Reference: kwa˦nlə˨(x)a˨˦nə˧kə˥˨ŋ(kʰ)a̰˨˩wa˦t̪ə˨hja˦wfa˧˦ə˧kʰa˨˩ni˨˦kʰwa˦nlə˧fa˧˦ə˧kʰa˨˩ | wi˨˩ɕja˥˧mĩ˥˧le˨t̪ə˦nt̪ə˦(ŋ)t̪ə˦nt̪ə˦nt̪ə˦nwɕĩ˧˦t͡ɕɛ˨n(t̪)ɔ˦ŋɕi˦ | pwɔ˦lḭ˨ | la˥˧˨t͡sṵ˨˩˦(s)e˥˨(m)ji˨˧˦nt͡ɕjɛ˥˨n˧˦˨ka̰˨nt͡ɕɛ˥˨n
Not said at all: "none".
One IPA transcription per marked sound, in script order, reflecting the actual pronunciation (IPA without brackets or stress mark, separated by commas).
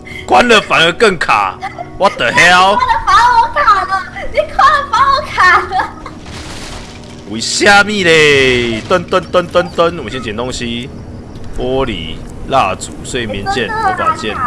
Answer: f, kʰ, n, t̪, s, m